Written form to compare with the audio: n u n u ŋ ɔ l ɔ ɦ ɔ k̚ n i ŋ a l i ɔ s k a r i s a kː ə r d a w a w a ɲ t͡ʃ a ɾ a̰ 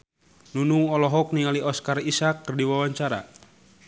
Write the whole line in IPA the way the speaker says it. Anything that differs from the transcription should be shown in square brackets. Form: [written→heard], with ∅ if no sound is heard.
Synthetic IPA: n u n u ŋ ɔ l ɔ ɦ ɔ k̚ n i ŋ a l i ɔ s k a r i s a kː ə r d [a→i] w a w a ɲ t͡ʃ a ɾ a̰